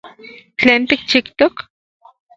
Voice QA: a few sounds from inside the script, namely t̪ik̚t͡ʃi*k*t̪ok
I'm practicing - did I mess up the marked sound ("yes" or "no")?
no